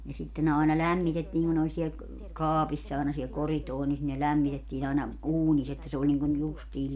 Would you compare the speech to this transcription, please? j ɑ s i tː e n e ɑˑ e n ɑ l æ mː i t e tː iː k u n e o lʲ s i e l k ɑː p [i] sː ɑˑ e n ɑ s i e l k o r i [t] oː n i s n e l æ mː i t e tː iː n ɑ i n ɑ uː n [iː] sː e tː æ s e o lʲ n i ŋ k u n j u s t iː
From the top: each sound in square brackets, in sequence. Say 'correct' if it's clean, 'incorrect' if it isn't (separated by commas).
correct, correct, incorrect